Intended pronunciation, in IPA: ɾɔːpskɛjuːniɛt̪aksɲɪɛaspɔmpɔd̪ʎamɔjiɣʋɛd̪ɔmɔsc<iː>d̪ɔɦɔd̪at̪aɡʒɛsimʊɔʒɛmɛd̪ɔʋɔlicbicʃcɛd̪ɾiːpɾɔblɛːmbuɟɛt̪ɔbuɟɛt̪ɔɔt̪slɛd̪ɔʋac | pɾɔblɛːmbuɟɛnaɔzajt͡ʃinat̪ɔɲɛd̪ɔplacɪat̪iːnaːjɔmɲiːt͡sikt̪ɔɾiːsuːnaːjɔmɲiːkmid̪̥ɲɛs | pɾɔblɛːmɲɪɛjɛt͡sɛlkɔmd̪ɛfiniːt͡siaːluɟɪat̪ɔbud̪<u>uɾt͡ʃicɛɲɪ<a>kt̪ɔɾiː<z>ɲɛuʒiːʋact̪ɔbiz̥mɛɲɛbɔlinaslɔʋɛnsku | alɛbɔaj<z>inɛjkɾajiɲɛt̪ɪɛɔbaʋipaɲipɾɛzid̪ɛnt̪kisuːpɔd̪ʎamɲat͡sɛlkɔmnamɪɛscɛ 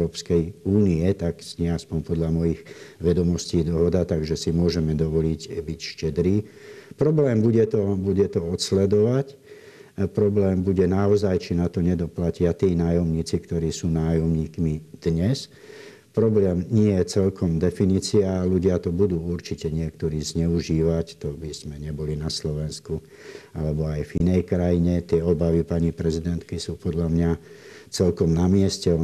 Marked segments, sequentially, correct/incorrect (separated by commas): correct, incorrect, incorrect, correct, incorrect